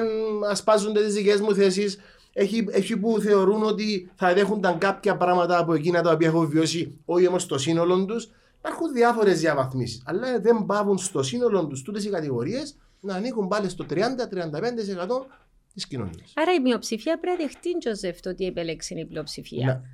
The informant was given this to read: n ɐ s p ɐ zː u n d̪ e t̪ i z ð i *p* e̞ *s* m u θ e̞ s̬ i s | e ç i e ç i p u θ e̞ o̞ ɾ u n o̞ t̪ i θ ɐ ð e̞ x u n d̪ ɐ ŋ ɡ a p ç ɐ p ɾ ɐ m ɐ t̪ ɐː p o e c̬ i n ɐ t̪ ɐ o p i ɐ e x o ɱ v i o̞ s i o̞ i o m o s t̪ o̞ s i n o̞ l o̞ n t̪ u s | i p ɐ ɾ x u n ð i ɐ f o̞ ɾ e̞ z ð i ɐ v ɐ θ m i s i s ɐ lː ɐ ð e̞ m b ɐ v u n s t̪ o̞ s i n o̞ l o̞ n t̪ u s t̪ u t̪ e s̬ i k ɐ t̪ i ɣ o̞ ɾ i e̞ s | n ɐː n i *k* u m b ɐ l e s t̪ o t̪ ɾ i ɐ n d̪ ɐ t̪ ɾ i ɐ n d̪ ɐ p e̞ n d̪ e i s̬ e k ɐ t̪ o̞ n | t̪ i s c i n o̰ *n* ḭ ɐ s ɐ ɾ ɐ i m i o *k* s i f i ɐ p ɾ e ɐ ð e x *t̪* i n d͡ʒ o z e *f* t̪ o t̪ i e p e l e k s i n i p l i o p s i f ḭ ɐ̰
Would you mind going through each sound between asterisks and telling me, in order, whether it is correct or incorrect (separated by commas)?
incorrect, incorrect, correct, correct, incorrect, correct, correct